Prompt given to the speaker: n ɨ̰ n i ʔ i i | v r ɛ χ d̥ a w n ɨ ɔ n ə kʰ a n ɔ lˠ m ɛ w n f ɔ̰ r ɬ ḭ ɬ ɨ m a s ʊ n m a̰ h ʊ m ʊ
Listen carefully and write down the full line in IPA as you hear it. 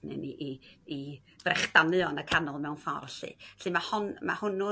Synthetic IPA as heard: n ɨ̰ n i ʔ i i | v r ɛ χ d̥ a n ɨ ɔ n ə kʰ a n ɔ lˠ m ɛ w n f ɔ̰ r ɬ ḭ ɬ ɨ m a h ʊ n m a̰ h ʊ n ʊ